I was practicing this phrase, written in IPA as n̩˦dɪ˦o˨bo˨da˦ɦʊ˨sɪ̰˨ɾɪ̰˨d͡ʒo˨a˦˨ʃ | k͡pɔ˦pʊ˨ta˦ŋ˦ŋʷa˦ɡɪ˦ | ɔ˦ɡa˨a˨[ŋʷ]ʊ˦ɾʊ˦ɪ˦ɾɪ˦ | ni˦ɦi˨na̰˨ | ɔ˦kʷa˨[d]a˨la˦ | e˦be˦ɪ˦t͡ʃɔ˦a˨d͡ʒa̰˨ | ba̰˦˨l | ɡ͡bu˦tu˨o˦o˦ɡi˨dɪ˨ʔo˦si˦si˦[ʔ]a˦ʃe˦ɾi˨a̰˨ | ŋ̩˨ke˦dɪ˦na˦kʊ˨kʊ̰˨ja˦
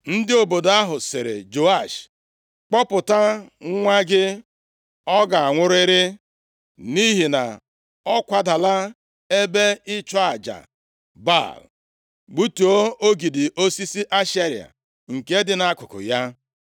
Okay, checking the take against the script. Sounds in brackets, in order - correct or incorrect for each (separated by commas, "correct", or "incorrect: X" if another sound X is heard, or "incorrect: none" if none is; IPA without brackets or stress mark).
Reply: correct, correct, correct